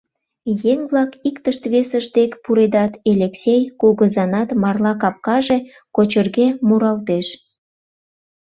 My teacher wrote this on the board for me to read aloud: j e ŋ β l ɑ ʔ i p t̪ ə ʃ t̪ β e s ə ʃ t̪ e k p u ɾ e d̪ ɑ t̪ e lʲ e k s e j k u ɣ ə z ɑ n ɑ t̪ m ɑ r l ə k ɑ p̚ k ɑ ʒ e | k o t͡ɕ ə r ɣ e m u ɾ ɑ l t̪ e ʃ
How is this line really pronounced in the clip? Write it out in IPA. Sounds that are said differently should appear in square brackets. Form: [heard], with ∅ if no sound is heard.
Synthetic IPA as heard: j e ŋ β l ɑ [k] i [k] t̪ ə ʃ t̪ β e s ə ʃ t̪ e k p u ɾ e d̪ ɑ t̪ e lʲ e k s e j k u ɣ ə z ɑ n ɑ t̪ m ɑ r l [ɑ] k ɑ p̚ k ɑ ʒ e | k o t͡ɕ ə r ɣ e m u ɾ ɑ l t̪ e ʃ

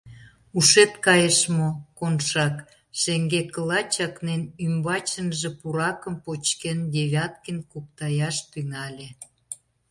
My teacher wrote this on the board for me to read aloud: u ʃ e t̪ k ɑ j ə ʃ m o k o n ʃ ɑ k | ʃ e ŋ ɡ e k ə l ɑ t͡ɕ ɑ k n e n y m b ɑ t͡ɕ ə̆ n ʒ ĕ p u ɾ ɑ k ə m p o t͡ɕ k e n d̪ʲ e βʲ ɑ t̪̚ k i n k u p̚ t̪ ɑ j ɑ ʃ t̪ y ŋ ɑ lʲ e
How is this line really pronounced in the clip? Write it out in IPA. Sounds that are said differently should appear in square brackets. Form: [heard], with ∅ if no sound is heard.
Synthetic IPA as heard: u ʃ e t̪ k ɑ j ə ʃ m o k o n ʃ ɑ k | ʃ e ŋ ɡ e k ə l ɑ t͡ɕ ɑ k n e n y m b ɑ t͡ɕ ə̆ n ʒ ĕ p u ɾ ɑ k ə m p o t͡ɕ k e n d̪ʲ e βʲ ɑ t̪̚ k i n k u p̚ t̪ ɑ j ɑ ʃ t̪ y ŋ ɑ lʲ e

